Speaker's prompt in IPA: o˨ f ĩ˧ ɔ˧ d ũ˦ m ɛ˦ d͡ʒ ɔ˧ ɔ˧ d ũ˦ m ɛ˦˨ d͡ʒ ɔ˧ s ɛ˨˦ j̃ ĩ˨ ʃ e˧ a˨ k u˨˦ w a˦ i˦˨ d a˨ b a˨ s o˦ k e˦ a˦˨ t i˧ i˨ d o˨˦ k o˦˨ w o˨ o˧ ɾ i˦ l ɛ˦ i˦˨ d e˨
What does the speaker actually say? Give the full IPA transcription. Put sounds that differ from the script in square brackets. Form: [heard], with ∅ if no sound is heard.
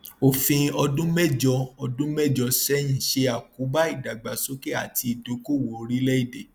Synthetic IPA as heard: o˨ f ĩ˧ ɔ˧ d ũ˦ m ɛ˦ d͡ʒ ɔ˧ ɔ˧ d ũ˦ m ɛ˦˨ d͡ʒ ɔ˧ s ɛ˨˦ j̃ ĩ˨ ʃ e˧ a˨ k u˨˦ [b] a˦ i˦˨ d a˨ [ɡ͡b] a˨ s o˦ k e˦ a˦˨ t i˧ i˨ d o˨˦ k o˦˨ w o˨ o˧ ɾ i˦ l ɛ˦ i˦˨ d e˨